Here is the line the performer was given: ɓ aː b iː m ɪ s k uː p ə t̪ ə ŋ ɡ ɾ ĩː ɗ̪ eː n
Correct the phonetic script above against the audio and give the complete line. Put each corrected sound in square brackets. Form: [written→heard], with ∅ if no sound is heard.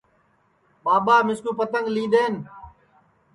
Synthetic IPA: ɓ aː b [iː→aː] m ɪ s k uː p ə t̪ ə ŋ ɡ [ɾ→l] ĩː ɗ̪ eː n